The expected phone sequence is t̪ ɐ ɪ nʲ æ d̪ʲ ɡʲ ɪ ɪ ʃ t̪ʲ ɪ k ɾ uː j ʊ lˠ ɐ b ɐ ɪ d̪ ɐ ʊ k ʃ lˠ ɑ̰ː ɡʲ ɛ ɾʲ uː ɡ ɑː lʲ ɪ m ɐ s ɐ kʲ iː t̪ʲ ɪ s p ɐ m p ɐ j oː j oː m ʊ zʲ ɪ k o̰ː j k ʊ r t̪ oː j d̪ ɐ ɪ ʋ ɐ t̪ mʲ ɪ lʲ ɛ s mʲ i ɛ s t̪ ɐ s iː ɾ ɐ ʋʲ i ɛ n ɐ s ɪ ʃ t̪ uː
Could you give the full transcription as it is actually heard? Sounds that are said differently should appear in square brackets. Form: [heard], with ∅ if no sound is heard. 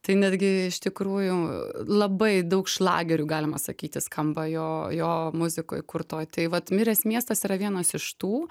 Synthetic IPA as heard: t̪ ɐ ɪ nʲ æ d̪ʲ ɡʲ ɪ ɪ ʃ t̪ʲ ɪ k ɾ uː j ʊ lˠ ɐ b ɐ ɪ d̪ ɐ ʊ k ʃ lˠ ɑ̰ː ɡʲ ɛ ɾʲ uː ɡ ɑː lʲ ɪ m ɐ s ɐ kʲ iː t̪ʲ ɪ s [k] ɐ m [b] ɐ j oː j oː m ʊ zʲ ɪ k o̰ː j k ʊ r t̪ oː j [t̪] ɐ ɪ ʋ ɐ t̪ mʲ ɪ [ɾʲ] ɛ s mʲ i ɛ s t̪ ɐ s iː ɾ ɐ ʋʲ i ɛ n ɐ s ɪ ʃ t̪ uː